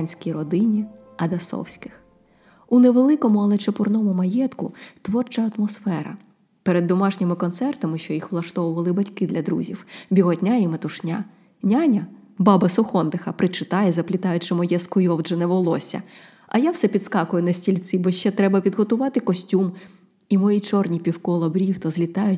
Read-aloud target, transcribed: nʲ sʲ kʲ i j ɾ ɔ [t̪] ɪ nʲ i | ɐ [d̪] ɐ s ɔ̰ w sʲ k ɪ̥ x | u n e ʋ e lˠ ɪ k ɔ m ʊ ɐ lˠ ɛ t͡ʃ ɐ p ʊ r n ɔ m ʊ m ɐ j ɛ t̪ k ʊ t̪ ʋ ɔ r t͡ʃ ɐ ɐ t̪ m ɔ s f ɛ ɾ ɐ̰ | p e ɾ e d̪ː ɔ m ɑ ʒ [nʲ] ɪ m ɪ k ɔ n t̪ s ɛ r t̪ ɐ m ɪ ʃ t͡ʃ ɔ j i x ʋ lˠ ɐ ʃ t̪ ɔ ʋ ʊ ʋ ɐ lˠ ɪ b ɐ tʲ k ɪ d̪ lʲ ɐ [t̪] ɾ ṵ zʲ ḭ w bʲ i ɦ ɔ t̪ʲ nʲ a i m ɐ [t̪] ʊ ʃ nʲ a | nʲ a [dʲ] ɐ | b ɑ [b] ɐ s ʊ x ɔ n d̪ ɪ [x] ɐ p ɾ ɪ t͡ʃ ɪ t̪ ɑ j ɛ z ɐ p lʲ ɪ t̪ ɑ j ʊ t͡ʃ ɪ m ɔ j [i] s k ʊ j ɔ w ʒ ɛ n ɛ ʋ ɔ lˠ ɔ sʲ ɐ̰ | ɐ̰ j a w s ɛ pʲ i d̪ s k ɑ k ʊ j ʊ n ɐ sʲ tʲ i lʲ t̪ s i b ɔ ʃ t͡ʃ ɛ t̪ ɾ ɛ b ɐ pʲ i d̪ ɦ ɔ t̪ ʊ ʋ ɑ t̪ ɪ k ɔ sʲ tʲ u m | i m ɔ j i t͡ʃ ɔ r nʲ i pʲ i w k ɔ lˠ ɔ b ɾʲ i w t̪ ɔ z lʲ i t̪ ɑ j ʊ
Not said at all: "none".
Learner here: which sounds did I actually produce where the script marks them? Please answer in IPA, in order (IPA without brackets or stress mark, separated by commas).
d̪, d̪, nʲ, d̪, t̪, nʲ, b, x, ɛ